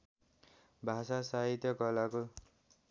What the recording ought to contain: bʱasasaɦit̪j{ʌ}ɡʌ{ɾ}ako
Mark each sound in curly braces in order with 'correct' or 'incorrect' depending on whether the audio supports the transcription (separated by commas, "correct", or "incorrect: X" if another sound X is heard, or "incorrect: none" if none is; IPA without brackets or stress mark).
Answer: correct, incorrect: l